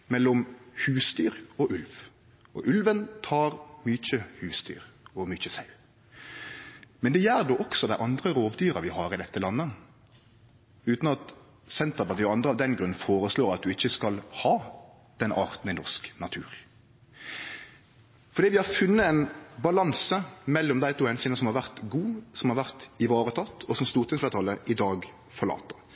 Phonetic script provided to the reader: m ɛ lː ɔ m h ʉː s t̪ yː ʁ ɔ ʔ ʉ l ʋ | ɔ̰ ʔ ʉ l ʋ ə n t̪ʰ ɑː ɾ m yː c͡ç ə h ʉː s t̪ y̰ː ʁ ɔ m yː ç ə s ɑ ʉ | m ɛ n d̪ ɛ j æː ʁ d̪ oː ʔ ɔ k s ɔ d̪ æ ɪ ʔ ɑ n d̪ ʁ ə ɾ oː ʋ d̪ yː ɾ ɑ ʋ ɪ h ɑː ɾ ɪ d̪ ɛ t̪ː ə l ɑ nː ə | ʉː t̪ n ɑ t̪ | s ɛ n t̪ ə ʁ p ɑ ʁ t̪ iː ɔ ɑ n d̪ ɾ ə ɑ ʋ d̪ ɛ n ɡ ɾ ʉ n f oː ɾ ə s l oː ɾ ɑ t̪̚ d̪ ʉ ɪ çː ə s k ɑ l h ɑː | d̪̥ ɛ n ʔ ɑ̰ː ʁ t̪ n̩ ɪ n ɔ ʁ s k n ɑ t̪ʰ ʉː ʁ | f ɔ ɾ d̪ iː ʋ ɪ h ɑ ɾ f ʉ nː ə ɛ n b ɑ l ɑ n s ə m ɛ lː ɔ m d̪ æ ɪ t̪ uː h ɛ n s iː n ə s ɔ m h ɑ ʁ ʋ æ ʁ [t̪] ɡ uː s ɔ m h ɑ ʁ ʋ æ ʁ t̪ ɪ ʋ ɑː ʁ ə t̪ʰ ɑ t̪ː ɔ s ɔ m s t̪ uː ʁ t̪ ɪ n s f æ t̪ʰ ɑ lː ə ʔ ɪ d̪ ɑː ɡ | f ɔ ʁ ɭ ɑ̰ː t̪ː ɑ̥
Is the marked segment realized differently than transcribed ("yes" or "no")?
no